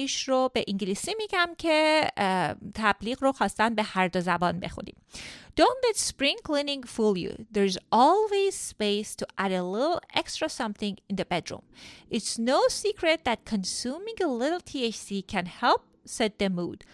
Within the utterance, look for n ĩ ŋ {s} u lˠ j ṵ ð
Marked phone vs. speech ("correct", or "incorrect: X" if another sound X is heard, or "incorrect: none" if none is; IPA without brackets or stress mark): incorrect: f